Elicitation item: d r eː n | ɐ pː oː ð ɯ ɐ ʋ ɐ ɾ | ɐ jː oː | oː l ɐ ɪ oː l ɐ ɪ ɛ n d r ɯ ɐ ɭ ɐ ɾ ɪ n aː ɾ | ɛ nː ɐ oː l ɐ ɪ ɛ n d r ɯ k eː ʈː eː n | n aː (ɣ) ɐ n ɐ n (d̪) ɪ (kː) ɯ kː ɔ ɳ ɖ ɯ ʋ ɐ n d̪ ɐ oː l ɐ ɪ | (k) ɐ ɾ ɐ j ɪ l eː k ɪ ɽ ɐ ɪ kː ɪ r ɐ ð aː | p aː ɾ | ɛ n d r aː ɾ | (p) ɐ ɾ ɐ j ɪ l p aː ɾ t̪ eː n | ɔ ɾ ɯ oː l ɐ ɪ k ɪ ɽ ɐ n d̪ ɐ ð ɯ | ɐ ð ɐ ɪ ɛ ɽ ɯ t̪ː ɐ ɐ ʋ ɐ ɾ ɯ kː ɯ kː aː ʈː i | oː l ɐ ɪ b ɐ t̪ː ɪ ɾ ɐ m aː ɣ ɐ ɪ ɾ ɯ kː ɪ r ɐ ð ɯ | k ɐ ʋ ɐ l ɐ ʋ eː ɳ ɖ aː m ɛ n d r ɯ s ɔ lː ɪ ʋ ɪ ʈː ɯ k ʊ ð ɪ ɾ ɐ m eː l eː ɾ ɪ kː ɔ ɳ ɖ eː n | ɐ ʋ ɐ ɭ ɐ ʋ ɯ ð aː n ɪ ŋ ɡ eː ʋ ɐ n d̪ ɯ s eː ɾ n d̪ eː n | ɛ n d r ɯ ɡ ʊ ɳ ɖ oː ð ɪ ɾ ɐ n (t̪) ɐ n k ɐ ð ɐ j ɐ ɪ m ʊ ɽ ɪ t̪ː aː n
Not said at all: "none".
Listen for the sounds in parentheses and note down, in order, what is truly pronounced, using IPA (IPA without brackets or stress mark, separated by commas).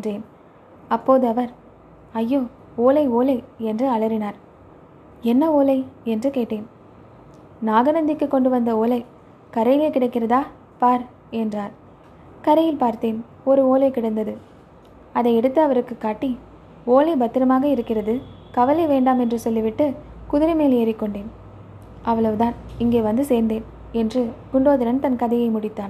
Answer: ɣ, d̪, kː, k, k, t̪